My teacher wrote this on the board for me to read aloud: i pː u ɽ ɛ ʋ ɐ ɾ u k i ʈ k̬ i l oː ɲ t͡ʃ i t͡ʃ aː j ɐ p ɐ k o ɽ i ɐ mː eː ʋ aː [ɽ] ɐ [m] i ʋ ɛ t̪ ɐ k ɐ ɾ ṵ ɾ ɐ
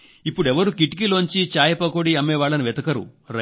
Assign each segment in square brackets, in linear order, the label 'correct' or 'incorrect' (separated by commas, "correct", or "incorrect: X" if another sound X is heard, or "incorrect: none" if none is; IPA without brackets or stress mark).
incorrect: ɭ, incorrect: n